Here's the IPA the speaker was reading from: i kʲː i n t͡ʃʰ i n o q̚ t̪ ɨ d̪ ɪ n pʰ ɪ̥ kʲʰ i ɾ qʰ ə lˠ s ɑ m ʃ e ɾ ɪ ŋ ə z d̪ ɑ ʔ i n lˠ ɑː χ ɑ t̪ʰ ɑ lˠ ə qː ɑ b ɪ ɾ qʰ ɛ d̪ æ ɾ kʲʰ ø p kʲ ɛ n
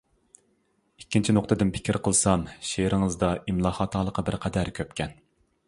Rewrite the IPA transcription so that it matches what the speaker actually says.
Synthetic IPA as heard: i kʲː i n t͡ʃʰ i n o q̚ t̪ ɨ d̪ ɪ n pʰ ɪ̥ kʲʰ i ɾ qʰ ə lˠ s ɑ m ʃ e ɾ ɪ ŋ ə z d̪ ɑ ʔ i m lˠ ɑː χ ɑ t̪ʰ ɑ lˠ ə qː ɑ b ɪ ɾ qʰ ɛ d̪ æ ɾ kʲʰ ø p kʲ ɛ n